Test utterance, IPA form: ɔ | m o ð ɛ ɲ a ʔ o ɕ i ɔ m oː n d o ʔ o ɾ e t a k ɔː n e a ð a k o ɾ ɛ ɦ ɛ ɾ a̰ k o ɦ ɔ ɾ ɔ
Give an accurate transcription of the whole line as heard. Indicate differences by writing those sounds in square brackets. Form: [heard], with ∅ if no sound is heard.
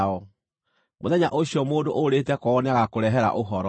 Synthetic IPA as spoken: ɔ | m o ð ɛ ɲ a ʔ o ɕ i ɔ m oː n d o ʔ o ɾ e t [ɛ] k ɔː n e a [ɣ] a k o ɾ ɛ ɦ ɛ ɾ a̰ [ʔ] o ɦ ɔ ɾ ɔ